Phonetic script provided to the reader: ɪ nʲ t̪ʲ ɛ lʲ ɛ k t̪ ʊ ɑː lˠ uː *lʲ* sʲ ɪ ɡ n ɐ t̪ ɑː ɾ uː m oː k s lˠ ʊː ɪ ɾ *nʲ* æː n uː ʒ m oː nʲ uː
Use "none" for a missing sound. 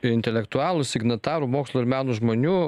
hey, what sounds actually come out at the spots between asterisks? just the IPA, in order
none, mʲ

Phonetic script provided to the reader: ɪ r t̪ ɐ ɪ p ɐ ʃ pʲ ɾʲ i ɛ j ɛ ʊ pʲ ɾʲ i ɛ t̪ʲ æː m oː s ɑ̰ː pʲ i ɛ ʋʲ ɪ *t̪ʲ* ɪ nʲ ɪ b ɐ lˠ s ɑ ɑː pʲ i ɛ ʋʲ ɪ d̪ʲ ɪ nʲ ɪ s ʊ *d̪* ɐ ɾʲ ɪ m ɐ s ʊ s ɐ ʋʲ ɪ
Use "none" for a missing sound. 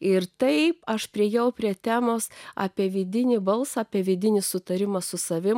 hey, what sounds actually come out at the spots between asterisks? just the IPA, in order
d̪ʲ, t̪

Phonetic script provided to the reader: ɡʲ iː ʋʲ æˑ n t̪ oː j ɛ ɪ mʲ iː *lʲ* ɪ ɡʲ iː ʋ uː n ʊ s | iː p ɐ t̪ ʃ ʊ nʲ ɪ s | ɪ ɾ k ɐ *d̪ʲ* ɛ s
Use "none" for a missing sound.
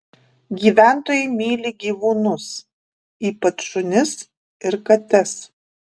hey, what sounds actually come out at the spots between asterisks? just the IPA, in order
lʲ, t̪ʲ

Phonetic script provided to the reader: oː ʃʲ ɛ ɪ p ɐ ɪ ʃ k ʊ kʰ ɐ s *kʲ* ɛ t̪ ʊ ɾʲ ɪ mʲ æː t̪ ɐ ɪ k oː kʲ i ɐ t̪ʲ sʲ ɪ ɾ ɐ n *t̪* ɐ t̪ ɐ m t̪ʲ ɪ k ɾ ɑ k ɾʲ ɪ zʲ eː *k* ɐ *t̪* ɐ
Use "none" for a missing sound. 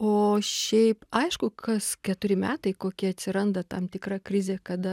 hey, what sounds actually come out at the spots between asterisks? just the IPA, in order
kʲ, d̪, k, d̪

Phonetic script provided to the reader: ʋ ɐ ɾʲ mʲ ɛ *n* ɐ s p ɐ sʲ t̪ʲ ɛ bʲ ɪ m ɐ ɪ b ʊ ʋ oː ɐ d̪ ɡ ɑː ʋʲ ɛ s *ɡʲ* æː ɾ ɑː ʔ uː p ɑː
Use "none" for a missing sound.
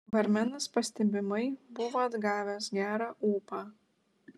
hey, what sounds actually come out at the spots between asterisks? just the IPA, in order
n, ɡʲ

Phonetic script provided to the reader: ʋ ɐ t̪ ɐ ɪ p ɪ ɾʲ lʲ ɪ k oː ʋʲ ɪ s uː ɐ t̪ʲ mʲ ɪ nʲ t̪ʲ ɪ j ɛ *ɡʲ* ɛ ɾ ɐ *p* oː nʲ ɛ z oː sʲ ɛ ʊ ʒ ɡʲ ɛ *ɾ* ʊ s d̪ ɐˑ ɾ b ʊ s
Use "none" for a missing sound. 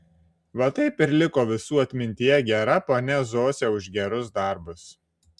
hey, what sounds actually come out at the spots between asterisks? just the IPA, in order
ɡʲ, p, ɾ

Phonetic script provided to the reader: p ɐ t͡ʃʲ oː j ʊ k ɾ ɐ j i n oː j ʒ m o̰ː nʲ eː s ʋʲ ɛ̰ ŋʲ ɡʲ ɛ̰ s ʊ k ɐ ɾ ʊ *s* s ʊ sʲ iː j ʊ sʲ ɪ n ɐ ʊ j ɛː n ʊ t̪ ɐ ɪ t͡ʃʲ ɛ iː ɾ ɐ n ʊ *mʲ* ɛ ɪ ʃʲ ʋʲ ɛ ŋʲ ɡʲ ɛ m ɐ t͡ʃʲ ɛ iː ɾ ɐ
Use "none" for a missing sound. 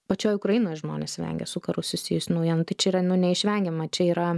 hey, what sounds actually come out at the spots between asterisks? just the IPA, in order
s, nʲ

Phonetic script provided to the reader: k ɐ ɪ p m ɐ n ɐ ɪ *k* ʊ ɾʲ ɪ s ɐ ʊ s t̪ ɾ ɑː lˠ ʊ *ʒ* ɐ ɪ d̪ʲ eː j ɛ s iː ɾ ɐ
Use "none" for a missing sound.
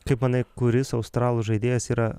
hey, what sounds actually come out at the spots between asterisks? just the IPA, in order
k, ʒ

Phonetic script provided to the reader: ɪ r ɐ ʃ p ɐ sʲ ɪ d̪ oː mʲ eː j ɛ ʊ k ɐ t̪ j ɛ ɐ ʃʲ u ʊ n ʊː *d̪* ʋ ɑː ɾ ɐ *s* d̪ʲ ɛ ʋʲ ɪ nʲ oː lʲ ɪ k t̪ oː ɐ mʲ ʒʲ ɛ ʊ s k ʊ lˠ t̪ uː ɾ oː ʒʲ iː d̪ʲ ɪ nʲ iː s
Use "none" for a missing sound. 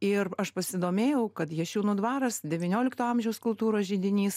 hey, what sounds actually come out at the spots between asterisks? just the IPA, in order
d̪, s

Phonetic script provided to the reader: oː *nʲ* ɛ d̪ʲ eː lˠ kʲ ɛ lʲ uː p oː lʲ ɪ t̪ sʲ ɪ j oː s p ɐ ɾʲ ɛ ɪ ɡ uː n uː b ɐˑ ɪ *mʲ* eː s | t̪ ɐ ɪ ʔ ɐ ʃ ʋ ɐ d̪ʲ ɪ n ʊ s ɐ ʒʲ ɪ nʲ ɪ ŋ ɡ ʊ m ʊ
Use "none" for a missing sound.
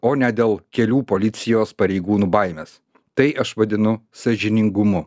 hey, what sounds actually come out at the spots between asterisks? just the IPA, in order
nʲ, mʲ

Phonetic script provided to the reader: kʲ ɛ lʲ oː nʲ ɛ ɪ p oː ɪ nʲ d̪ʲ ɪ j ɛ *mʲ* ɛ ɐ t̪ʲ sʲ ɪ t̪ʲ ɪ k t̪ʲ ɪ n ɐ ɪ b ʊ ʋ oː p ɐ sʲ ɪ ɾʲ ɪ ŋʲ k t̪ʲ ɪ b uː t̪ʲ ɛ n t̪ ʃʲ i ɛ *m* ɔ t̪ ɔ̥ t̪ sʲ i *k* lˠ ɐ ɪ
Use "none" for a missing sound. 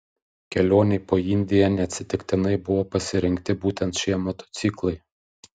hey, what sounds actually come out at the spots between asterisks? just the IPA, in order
nʲ, m, k

